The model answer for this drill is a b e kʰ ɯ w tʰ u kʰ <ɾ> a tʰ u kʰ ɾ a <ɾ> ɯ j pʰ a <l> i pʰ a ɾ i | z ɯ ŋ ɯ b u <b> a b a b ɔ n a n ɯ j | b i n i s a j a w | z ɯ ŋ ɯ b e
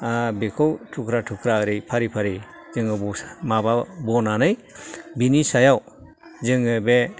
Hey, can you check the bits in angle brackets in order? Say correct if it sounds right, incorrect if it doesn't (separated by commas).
correct, correct, incorrect, incorrect